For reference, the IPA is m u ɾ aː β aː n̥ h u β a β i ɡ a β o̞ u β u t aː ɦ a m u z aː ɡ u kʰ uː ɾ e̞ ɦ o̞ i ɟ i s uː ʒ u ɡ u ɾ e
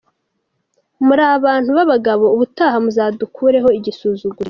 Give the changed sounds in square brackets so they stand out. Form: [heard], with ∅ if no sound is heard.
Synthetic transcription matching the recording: m u ɾ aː β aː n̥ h u β a β [a] ɡ a β o̞ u β u t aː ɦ a m u z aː [d] u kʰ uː ɾ e̞ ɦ o̞ i ɟ i s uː [z] u ɡ u ɾ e